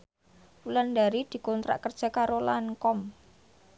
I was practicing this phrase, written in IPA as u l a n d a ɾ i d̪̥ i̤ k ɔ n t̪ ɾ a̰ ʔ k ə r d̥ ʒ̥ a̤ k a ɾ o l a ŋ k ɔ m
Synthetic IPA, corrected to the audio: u l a n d a ɾ i d̪̥ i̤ k ɔ n t̪ ɾ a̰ ʔ k ə r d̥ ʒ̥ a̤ k a ɾ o l a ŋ k ɔ m